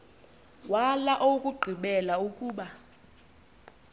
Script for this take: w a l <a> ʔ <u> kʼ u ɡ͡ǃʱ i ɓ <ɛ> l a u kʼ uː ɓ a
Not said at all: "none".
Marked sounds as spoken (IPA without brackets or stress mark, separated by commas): a, o, ɛ